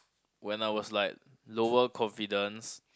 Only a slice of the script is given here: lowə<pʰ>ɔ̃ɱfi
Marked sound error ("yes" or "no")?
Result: yes